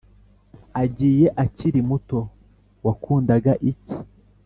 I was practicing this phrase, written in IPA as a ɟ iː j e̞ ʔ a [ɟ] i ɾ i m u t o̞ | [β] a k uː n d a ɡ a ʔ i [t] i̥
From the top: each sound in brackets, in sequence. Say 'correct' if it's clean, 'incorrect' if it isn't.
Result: incorrect: c, incorrect: w, incorrect: c

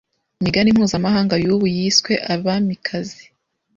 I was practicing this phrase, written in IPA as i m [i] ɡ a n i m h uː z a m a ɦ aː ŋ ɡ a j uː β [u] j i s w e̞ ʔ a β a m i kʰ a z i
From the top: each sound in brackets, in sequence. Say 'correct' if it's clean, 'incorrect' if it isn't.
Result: correct, correct

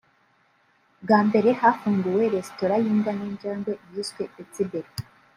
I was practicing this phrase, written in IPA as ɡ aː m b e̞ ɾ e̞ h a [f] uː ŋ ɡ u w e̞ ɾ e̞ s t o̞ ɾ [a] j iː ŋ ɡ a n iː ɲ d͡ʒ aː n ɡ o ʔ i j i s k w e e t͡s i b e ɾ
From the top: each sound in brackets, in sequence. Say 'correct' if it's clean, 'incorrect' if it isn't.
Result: correct, correct

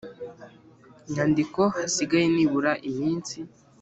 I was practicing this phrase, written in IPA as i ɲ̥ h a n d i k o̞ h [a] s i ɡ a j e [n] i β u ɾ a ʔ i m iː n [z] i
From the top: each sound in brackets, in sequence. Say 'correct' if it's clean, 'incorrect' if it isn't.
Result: correct, correct, incorrect: s

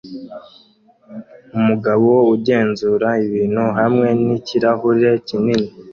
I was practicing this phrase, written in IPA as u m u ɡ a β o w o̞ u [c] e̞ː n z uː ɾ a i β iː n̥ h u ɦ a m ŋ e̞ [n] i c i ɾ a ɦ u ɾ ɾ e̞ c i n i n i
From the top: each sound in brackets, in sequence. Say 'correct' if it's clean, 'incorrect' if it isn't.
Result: incorrect: ɟ, correct

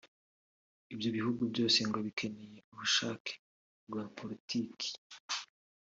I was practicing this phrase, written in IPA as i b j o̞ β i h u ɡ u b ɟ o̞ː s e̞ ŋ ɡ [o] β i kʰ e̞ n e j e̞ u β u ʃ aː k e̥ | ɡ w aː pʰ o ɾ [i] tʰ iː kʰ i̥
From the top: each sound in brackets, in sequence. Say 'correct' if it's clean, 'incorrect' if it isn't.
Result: correct, correct

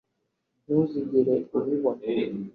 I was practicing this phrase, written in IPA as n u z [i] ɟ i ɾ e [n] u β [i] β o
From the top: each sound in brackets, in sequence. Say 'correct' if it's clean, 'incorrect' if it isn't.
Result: correct, incorrect: none, correct

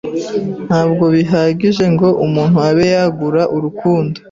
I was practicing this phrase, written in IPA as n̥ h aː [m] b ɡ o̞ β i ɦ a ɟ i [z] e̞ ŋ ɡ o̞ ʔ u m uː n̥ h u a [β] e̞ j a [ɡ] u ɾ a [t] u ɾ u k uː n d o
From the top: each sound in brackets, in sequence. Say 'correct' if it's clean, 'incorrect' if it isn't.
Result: incorrect: none, incorrect: ʒ, correct, correct, incorrect: ʔ

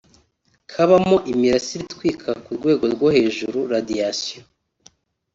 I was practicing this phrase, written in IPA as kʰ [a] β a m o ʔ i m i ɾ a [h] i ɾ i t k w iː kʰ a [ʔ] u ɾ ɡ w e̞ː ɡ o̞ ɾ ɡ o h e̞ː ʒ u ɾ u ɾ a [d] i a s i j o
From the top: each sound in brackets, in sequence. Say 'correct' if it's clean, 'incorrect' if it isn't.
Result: correct, incorrect: s, incorrect: k, correct

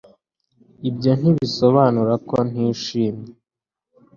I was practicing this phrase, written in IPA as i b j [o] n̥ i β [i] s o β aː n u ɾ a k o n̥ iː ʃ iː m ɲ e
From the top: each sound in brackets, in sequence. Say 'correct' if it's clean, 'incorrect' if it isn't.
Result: correct, correct

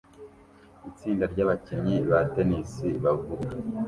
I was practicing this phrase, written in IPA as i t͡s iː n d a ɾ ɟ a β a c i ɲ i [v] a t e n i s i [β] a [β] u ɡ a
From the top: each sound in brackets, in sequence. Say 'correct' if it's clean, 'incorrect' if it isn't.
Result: incorrect: β, correct, incorrect: v

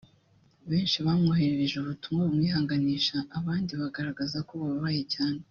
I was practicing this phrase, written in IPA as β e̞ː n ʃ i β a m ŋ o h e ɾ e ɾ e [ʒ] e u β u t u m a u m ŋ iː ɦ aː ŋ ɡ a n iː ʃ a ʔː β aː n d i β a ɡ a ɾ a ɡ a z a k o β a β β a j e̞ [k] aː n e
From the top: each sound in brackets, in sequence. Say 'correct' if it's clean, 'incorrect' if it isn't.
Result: correct, incorrect: c

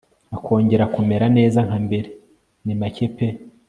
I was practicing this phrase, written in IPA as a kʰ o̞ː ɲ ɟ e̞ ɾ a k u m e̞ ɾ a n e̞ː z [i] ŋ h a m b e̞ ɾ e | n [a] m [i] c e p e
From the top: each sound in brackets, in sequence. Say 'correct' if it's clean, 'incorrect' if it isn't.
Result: incorrect: a, incorrect: i, incorrect: a

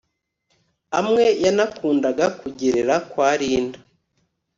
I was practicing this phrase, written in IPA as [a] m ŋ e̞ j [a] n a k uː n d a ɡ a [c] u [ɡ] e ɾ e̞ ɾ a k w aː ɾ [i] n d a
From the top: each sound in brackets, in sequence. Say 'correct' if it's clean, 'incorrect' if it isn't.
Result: correct, correct, incorrect: k, incorrect: ɟ, incorrect: iː

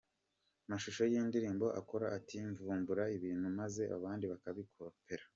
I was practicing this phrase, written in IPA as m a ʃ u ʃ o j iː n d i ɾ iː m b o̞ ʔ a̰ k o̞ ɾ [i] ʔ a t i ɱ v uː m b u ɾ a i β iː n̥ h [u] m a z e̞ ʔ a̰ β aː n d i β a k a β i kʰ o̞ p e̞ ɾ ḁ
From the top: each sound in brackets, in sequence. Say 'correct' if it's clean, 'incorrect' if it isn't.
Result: incorrect: a, correct

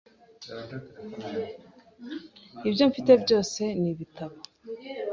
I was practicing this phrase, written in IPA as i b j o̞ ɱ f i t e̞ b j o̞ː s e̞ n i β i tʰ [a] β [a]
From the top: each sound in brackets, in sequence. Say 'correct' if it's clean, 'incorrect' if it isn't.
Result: correct, correct

